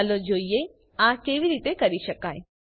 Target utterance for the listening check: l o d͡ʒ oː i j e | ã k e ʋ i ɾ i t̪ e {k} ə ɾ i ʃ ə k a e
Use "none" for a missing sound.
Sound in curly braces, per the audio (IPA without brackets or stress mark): k